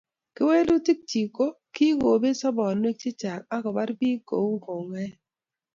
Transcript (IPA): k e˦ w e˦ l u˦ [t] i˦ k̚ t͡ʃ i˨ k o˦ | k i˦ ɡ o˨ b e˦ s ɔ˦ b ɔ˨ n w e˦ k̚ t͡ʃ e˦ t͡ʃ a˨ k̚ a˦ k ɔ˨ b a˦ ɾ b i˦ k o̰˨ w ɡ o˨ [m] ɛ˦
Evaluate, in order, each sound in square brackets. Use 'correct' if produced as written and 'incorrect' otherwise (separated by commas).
correct, incorrect